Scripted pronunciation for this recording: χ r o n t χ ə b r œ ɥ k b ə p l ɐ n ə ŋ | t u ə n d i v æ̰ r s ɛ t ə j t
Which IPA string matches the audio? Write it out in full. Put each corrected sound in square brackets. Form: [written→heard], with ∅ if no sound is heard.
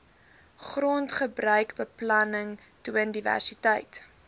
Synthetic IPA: χ r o n t χ ə b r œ ɥ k b ə p l ɐ n ə ŋ | t u ə n d i v æ̰ r s [ɛ→i] t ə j t

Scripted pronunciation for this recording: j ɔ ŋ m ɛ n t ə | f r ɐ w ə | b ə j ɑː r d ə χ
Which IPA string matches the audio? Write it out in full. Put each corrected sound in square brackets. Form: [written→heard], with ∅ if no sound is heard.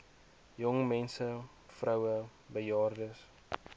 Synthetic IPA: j ɔ ŋ m ɛ n [t→s] ə | f r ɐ w ə | b ə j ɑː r d ə [χ→s]

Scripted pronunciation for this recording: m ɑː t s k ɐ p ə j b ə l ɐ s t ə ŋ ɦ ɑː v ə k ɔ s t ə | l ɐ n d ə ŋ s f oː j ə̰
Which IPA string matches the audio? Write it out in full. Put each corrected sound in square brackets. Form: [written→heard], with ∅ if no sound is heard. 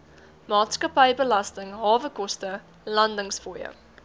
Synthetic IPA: m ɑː t s k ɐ p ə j b ə l ɐ s t ə ŋ ɦ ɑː v ə k ɔ s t ə | l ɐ n d ə ŋ s f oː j ə̰

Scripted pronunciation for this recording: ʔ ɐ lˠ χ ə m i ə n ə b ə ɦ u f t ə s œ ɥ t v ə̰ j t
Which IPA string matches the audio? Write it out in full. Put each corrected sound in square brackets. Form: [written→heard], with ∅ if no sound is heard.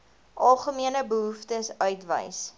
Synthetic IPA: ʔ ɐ lˠ χ ə m i ə n ə b ə ɦ u f t ə s œ ɥ t v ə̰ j [t→s]

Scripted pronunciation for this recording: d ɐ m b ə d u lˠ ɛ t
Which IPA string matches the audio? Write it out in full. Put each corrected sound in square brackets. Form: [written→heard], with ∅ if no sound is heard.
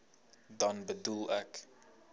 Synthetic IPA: d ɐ [m→n] b ə d u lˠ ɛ [t→k]

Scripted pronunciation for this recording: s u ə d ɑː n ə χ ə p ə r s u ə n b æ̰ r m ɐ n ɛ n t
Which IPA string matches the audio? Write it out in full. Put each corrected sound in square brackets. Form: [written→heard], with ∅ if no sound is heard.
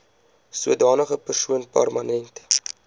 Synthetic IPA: s u ə d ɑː n ə χ ə p ə r s u ə n [b→p] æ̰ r m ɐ n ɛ n t

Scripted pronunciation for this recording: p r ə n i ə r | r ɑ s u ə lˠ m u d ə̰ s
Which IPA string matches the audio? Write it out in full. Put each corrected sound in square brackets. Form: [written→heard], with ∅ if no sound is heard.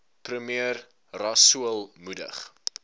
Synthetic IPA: p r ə [n→m] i ə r | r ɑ s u ə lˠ m u d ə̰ [s→χ]

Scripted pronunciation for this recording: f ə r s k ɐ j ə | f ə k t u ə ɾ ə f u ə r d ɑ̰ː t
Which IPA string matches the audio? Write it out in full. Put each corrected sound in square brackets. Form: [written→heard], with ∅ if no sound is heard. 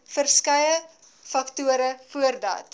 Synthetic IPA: f ə r s k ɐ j ə | f [ə→ɐ] k t u ə ɾ ə f u ə r d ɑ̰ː t

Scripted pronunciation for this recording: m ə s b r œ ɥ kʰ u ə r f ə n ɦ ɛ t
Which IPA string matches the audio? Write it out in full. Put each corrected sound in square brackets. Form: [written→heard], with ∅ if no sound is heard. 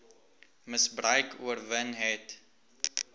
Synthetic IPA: m ə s b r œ ɥ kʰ u ə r [f→v] ə n ɦ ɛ t

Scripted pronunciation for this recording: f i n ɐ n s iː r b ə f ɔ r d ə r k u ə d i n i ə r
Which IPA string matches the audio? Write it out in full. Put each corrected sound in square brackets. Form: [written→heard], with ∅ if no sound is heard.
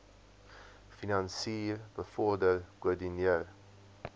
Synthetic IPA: f i n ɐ n s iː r b ə f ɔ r d ə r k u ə d i n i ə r

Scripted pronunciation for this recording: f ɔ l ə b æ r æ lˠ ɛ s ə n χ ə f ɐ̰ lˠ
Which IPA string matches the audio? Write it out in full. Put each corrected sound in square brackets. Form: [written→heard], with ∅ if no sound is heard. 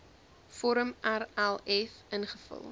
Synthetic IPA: f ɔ [l→ɾ] ə [b→m] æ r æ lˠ ɛ [s→f] ə n χ ə f [ɐ̰→ə̰] lˠ

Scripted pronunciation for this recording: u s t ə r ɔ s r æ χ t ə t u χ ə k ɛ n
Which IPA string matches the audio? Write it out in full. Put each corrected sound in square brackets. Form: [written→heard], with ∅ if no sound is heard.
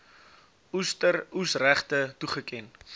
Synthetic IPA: u s t ə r [ɔ→u] s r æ χ t ə t u χ ə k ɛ n

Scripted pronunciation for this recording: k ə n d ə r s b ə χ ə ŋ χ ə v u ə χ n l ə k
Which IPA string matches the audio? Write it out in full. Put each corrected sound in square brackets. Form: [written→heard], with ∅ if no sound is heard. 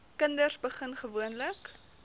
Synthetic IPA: k ə n d ə r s b ə χ ə [ŋ→n] χ ə v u ə [χ→∅] n l ə k

